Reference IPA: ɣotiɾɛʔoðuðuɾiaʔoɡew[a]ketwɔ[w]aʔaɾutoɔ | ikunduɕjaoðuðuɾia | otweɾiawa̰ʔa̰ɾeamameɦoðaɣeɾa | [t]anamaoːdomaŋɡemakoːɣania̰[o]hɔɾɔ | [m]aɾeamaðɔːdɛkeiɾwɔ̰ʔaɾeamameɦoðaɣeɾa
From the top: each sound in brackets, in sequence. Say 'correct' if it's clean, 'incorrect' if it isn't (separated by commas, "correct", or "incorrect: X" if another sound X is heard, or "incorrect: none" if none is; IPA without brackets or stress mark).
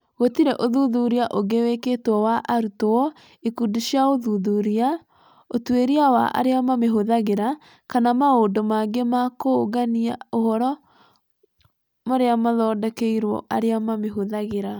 incorrect: e, correct, incorrect: k, correct, correct